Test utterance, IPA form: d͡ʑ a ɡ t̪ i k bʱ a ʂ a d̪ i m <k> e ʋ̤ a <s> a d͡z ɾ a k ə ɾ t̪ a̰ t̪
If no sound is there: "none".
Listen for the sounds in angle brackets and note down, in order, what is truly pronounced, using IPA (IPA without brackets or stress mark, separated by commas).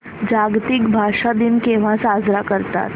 k, s